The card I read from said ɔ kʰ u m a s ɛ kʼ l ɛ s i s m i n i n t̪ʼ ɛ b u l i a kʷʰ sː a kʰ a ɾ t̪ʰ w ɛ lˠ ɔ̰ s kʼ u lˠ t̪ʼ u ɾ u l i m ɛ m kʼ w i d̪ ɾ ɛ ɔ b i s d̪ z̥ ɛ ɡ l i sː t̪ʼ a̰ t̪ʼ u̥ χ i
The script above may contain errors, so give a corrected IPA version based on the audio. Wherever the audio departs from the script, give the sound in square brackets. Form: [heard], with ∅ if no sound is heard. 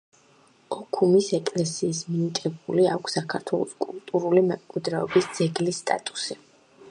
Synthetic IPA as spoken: ɔ kʰ u m [i] s ɛ kʼ l ɛ s [iː] s m i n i [∅] t̪ʼ ɛ b u l i a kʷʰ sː a kʰ a ɾ t̪ʰ w ɛ lˠ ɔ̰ s kʼ u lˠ t̪ʼ u ɾ u l i m ɛ m kʼ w i d̪ ɾ ɛ ɔ b i s d̪ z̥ ɛ ɡ l i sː t̪ʼ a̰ t̪ʼ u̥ [s] i

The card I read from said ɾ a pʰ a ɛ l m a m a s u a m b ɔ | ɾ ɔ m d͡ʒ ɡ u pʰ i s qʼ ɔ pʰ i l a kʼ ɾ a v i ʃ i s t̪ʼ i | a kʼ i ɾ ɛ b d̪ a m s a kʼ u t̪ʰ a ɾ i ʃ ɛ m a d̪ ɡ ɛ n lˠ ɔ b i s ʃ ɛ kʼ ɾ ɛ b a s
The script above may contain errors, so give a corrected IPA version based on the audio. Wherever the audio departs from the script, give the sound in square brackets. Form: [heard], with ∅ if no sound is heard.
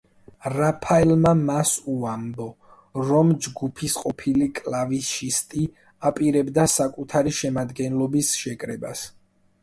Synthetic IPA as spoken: ɾ a pʰ a ɛ l m a m a s u a m b ɔ | ɾ ɔ m d͡ʒ ɡ u pʰ i s qʼ ɔ pʰ i l [i] kʼ [l] a v i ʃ i s t̪ʼ i | a [pʼ] i ɾ ɛ b d̪ a [∅] s a kʼ u t̪ʰ a ɾ i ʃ ɛ m a d̪ ɡ ɛ n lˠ ɔ b i s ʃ ɛ kʼ ɾ ɛ b a s

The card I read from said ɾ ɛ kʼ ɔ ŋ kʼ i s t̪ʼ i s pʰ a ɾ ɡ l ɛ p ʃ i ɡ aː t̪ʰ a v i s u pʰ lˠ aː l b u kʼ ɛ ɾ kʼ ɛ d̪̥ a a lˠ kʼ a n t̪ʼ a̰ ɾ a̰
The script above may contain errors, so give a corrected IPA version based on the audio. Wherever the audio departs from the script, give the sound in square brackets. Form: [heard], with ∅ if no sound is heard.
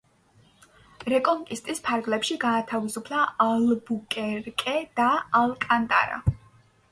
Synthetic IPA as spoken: ɾ ɛ kʼ ɔ ŋ kʼ i s t̪ʼ i s pʰ a ɾ ɡ l ɛ p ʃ i ɡ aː t̪ʰ a v i s u pʰ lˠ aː l b u kʼ ɛ ɾ kʼ ɛ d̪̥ a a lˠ kʼ a n t̪ʼ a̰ ɾ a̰

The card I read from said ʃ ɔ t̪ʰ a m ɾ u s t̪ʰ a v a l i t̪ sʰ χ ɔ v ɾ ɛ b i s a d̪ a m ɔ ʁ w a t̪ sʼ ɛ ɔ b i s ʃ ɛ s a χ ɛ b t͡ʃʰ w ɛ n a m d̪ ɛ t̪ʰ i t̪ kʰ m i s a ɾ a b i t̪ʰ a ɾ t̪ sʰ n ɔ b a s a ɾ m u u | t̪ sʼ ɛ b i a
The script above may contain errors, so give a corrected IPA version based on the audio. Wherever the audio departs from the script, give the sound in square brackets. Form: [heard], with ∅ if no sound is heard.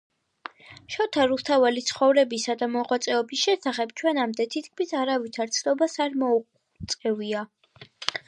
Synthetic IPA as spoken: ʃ ɔ t̪ʰ a [∅] ɾ u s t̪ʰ a v a l i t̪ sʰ χ ɔ v ɾ ɛ b i s a d̪ a m ɔ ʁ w a t̪ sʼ ɛ ɔ b i s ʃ ɛ s a χ ɛ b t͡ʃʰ w ɛ n a m d̪ ɛ t̪ʰ i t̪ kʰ m i s a ɾ a [v] i t̪ʰ a ɾ t̪ sʰ n ɔ b a s a ɾ m [ɔ] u | t̪ sʼ ɛ [v] i a

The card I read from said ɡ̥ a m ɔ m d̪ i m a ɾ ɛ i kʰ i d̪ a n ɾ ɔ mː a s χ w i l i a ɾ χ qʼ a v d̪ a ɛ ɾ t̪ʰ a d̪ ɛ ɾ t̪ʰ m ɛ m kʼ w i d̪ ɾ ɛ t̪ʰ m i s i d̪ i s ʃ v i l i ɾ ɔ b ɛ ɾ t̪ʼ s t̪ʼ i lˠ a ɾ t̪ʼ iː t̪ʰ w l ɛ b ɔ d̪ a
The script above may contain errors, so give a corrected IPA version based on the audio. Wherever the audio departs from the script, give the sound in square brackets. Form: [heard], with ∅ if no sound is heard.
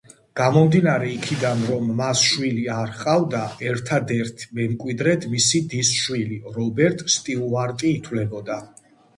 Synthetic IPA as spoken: ɡ̥ a m ɔ m d̪ i [n] a ɾ ɛ i kʰ i d̪ a n ɾ ɔ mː a s [ʃ] w i l i a ɾ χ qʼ a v d̪ a ɛ ɾ t̪ʰ a d̪ ɛ ɾ t̪ʰ m ɛ m kʼ w i d̪ ɾ ɛ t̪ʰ m i s i d̪ i s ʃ [w] i l i ɾ ɔ b ɛ ɾ t̪ʼ s t̪ʼ i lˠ a ɾ t̪ʼ iː t̪ʰ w l ɛ b ɔ d̪ a

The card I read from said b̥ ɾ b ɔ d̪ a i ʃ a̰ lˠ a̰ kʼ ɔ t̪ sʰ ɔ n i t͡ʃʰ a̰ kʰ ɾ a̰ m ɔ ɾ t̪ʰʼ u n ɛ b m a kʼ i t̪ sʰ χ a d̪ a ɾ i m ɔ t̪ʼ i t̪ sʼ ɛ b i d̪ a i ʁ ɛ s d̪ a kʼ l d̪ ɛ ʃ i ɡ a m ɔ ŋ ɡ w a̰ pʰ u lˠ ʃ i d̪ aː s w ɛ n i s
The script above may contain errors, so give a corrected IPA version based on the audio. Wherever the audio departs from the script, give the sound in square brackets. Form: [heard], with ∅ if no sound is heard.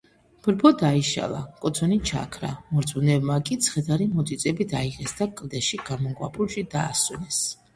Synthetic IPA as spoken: b̥ ɾ b ɔ d̪ a i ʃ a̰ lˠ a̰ kʼ ɔ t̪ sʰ ɔ n i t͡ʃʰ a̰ kʰ ɾ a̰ m ɔ ɾ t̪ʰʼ u n ɛ b m a kʼ i t̪ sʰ χ [ɛ] d̪ a ɾ i m ɔ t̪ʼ i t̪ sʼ ɛ b i d̪ a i ʁ ɛ s d̪ a kʼ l d̪ ɛ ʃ i ɡ a m ɔ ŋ ɡ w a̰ pʰ u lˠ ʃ i d̪ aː s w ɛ n [ɛ] s

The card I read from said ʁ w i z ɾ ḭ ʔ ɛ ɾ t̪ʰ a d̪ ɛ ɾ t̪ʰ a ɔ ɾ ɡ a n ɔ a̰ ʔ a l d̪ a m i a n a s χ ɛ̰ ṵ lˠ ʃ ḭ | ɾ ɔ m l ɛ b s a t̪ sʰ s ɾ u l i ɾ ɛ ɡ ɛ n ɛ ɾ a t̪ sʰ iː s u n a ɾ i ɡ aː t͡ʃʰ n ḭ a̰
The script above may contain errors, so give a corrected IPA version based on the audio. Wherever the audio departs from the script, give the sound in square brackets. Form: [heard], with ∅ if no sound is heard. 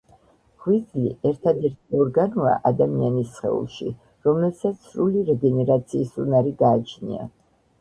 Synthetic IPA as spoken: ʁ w i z [l] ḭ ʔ ɛ ɾ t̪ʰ a d̪ ɛ ɾ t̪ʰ [i] ɔ ɾ ɡ a n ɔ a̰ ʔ a [∅] d̪ a m i a n [i] s χ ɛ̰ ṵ lˠ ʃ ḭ | ɾ ɔ m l ɛ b s a t̪ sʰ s ɾ u l i ɾ ɛ ɡ ɛ n ɛ ɾ a t̪ sʰ iː s u n a ɾ i ɡ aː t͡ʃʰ n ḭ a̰

